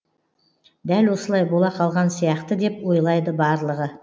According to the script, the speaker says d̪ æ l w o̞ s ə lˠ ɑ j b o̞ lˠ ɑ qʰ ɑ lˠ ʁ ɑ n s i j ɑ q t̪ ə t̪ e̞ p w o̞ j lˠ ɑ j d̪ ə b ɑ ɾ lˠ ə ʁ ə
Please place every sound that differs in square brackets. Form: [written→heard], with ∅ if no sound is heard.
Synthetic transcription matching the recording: d̪ æ l w o̞ s ə lˠ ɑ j b o̞ lˠ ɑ qʰ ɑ lˠ ʁ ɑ n s i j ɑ q t̪ ə [t̪→d̪] e̞ p w o̞ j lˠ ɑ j d̪ ə b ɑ ɾ lˠ ə ʁ ə